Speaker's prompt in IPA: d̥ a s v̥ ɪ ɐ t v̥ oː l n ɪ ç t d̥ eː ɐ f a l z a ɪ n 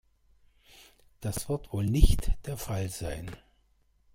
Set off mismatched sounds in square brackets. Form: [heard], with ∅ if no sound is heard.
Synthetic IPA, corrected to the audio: d̥ a s v̥ ɪ ɐ t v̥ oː l n ɪ ç t d̥ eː ɐ f a l z a ɪ n